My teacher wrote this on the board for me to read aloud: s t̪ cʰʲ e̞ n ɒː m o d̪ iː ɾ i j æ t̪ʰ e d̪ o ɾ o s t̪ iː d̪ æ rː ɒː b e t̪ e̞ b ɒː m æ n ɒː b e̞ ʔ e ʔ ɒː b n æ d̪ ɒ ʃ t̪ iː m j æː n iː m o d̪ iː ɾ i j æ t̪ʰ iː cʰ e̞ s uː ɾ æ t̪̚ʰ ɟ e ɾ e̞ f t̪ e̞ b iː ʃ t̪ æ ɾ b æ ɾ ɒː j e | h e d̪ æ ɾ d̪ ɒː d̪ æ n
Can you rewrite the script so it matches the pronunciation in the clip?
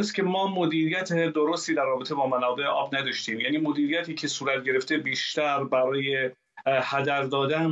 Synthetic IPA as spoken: s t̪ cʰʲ e̞ m ɒː m o d̪ iː ɾ i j æ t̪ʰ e d̪ o ɾ o s t̪ iː d̪ æ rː ɒː b e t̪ e̞ b ɒː m æ n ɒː b e̞ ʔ e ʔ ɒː b n æ d̪ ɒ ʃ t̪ iː m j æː n iː m o d̪ iː ɾ i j æ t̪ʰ iː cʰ e̞ s uː ɾ æ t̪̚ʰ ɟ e ɾ e̞ f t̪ e̞ b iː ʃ t̪ æ ɾ b æ ɾ ɒː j e | h æ d̪ æ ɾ d̪ ɒː d̪ æ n